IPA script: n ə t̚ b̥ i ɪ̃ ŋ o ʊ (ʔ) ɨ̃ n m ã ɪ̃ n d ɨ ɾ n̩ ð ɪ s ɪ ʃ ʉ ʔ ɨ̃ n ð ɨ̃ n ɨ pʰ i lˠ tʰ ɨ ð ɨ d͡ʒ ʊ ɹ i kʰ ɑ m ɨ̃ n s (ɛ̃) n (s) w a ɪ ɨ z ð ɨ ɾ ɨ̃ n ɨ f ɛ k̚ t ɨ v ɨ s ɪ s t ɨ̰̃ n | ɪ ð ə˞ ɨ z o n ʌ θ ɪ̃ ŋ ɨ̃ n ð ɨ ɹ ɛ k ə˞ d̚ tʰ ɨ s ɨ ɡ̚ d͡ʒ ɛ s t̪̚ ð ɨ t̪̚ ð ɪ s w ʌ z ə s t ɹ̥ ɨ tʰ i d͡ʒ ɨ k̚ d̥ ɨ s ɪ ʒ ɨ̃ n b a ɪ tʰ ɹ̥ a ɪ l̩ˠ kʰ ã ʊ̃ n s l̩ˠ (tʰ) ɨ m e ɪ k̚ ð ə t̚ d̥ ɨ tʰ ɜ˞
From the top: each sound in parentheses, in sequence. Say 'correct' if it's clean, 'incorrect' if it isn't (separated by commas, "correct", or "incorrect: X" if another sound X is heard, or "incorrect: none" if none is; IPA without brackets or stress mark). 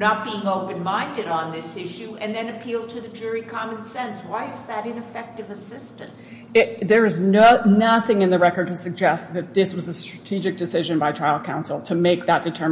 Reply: incorrect: p, correct, correct, correct